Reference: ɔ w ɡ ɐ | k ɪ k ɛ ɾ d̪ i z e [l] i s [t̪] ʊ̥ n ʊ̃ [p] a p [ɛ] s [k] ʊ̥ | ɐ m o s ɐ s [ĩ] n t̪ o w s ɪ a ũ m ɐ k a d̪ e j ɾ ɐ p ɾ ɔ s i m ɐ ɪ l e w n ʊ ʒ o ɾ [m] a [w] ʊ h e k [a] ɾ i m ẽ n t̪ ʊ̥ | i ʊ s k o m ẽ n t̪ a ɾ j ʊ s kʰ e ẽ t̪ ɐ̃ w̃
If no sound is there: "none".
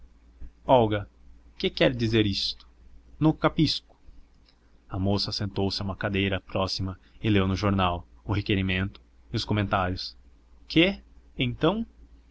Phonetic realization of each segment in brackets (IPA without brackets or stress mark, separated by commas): ɾ, t̪, k, i, k, ẽ, n, w, e